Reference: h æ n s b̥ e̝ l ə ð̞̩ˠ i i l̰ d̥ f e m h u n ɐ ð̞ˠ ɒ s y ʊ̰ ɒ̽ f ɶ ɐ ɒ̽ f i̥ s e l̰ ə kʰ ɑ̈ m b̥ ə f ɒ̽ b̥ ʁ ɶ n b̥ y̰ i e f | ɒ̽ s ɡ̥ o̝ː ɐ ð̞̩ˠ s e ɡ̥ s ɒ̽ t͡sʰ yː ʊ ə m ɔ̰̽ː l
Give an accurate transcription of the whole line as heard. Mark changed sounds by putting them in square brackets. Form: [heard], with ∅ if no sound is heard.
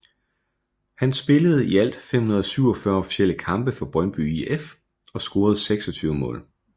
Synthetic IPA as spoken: h æ n s b̥ e̝ l ə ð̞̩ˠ i [æ] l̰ d̥ f e m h u n ɐ ð̞ˠ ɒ s y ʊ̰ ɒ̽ f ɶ ɐ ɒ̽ f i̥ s e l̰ ə kʰ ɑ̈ m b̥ ə f ɒ̽ b̥ ʁ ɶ n b̥ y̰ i e f | ɒ̽ s ɡ̥ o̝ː ɐ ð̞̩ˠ s e ɡ̥ s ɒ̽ t͡sʰ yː ʊ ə m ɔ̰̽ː l

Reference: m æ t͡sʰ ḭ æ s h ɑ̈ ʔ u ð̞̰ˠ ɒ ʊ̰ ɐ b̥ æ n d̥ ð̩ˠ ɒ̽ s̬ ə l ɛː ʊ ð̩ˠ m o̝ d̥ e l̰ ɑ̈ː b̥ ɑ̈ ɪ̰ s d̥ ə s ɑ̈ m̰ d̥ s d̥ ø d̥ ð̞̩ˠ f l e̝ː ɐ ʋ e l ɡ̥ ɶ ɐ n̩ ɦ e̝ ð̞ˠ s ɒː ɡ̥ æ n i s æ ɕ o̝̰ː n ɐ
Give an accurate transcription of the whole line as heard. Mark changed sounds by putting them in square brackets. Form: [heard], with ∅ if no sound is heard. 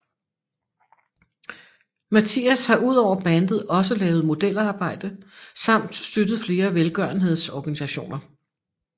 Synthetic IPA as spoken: m æ t͡sʰ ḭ æ s h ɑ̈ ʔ u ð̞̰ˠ ɒ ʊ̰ ɐ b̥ æ n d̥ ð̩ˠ ɒ̽ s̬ ə l ɛː ʊ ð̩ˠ m o̝ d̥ e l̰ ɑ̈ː b̥ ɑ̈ ɪ̰ [∅] d̥ ə s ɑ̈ m̰ d̥ s d̥ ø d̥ ð̞̩ˠ f l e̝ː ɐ ʋ e l ɡ̥ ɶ ɐ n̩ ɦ e̝ ð̞ˠ s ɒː ɡ̥ æ n i s æ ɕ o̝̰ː n ɐ

